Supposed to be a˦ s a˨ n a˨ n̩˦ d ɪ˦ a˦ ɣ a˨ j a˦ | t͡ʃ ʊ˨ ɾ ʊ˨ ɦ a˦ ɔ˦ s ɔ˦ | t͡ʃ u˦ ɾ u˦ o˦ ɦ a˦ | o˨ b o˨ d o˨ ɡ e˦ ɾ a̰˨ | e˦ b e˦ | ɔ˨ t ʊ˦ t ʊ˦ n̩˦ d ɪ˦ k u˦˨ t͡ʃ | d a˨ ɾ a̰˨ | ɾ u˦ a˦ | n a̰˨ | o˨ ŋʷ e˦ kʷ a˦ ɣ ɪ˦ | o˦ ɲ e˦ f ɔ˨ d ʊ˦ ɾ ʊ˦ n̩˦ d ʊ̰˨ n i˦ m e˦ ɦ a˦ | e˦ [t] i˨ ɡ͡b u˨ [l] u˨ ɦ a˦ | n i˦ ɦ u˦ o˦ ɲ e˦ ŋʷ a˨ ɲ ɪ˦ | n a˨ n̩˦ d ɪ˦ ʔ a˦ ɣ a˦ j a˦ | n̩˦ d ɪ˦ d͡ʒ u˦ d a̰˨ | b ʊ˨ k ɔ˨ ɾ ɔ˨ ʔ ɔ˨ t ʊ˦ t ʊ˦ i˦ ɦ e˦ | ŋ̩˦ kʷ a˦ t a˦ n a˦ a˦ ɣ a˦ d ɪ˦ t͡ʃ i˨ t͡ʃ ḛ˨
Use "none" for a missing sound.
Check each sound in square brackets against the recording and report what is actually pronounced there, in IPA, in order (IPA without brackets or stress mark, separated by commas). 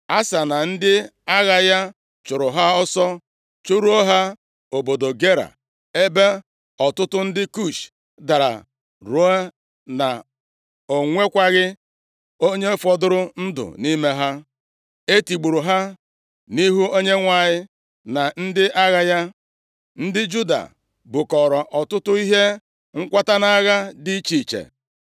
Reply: t, ɾ